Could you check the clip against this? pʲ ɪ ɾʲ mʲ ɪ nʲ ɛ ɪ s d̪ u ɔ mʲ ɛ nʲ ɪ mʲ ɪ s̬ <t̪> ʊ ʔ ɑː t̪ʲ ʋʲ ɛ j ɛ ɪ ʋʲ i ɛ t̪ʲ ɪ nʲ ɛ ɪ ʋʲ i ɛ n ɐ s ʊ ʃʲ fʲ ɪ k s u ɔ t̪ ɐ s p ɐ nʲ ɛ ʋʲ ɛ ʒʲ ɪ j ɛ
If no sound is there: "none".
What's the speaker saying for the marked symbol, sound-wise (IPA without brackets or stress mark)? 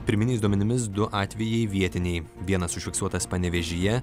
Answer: d̪